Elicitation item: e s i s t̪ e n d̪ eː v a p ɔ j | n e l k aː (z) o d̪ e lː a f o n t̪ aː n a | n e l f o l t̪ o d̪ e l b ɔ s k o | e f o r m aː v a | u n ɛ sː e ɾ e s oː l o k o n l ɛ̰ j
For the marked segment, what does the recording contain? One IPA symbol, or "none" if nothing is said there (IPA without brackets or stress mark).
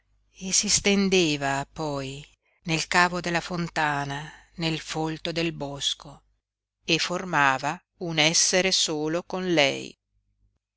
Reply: v